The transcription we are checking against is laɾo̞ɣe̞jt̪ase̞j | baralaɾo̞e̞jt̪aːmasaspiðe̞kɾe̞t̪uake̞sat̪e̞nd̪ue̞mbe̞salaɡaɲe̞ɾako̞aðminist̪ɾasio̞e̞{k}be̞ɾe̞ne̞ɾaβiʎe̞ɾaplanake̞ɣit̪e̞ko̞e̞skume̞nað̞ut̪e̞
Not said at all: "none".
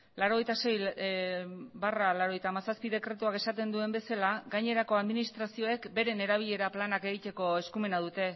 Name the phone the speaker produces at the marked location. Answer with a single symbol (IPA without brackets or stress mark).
k